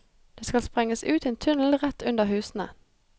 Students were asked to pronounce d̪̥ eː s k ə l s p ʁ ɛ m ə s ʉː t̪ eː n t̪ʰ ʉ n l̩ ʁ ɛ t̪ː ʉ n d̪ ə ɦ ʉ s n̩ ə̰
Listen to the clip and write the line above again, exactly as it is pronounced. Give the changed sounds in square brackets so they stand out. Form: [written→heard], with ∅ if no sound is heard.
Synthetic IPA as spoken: d̪̥ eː s k [ə→ɑ] l s p ʁ ɛ [m→ŋ] ə s ʉː t̪ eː n t̪ʰ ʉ n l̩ ʁ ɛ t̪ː ʉ n d̪ ə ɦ [ʉ→ʉː] s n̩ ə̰